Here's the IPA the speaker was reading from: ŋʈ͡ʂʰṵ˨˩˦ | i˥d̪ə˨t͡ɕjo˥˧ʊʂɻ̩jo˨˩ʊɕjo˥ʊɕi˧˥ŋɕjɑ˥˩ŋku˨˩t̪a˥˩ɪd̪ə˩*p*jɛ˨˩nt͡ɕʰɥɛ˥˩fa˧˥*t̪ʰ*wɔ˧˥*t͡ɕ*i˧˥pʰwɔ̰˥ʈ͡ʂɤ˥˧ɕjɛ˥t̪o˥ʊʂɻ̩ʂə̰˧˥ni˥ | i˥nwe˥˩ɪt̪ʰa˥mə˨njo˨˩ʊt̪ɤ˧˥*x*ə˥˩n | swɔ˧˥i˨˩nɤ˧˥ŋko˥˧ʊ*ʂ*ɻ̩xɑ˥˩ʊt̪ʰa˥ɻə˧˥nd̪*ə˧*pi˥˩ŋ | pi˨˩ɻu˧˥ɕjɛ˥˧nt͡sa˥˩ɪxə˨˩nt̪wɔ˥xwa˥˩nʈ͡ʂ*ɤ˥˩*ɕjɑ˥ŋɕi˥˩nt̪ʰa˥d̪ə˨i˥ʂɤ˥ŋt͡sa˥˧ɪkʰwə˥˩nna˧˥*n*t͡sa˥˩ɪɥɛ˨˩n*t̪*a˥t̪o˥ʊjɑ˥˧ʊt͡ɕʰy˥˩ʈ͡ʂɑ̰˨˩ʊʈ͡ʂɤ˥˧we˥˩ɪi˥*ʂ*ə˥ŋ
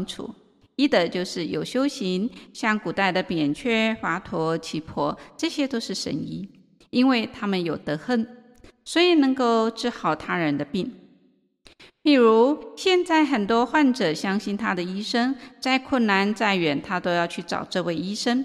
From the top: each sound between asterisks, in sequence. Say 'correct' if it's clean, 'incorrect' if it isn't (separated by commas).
correct, correct, incorrect, correct, incorrect, correct, incorrect, correct, incorrect, correct